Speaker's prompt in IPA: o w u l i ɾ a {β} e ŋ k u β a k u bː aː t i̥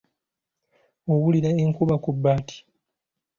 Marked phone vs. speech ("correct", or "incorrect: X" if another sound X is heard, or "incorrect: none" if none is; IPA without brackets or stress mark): incorrect: none